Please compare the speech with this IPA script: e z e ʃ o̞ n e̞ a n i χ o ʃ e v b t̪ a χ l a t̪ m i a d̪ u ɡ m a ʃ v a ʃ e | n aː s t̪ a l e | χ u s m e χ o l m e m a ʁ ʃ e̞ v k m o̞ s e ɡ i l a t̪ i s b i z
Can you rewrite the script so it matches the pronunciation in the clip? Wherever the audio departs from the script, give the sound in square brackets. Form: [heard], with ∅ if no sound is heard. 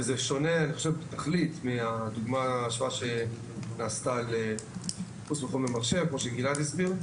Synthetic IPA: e z e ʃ o̞ n e̞ a n i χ o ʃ e v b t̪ a χ l [i] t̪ m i a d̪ u ɡ m a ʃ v a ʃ e | n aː s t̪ a l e | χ u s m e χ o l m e m a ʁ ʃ e̞ v k m o̞ [ʃ] e ɡ i l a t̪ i s b i [ʁ]